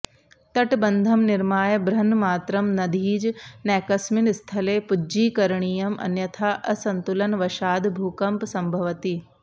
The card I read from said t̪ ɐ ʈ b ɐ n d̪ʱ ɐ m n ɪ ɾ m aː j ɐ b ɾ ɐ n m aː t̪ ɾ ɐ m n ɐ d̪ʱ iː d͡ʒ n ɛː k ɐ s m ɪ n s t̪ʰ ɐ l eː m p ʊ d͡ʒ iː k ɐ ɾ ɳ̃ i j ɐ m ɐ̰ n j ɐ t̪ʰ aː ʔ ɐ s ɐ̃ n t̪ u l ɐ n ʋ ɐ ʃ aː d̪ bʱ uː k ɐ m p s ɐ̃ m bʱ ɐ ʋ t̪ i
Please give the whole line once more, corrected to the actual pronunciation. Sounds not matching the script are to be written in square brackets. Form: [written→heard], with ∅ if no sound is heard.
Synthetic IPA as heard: t̪ ɐ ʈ b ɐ n d̪ʱ ɐ m n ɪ ɾ m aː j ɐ b ɾ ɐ n m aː t̪ ɾ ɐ m n ɐ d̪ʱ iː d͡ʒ n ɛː k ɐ s m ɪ n s t̪ʰ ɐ l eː [m→∅] p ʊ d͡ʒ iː k ɐ ɾ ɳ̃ i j ɐ m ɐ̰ n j ɐ t̪ʰ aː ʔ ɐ s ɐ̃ n t̪ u l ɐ n ʋ ɐ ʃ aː d̪ bʱ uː k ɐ m p s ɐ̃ m bʱ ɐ ʋ t̪ i